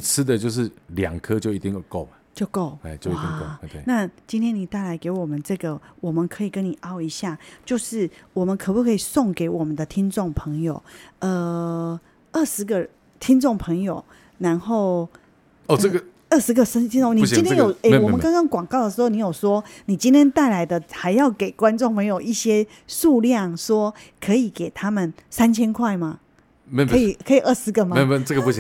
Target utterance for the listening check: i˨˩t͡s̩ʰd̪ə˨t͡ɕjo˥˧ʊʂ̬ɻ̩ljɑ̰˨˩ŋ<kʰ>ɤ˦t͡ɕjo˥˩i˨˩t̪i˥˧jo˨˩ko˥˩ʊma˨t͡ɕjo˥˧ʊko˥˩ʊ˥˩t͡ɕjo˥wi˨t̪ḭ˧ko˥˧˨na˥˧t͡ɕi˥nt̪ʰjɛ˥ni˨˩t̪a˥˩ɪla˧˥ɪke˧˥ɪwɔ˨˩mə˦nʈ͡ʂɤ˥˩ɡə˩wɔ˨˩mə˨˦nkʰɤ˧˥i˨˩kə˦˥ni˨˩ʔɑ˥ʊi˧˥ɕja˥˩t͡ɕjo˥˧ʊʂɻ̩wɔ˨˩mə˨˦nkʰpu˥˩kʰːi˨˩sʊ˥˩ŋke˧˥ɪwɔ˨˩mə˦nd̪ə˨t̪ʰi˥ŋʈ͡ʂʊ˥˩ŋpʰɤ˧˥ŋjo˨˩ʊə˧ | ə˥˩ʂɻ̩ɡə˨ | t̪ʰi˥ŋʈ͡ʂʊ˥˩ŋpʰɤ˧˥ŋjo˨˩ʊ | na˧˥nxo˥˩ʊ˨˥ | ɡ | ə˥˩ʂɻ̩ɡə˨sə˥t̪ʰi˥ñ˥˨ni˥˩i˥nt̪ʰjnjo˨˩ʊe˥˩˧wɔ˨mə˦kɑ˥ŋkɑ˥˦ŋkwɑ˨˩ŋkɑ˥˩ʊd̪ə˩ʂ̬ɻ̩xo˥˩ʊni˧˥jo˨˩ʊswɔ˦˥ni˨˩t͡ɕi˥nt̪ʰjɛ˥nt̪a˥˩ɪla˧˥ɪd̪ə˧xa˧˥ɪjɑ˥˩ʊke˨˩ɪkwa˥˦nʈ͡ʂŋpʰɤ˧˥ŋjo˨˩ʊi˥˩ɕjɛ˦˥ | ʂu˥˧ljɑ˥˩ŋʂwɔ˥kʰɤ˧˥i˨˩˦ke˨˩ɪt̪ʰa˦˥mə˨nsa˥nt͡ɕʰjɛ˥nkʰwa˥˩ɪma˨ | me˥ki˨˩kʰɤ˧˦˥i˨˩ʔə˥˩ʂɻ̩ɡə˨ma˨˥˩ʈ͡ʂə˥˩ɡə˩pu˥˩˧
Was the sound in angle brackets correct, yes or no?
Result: yes